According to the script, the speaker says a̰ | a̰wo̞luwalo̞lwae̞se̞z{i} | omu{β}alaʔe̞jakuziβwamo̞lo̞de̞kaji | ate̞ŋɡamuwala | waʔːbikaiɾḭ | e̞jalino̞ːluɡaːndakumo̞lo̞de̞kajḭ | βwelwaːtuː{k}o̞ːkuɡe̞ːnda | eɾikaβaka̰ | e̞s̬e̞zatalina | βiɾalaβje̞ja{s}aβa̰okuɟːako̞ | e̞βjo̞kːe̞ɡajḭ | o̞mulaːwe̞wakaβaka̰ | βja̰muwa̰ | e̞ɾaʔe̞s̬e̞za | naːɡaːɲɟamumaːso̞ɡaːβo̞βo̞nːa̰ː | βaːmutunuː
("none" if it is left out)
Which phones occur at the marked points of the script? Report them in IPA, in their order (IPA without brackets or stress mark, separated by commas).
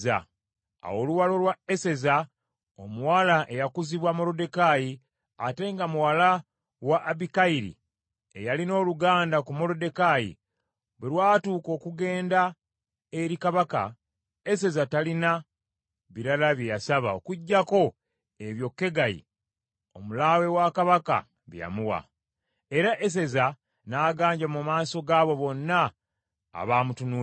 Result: a, w, k, s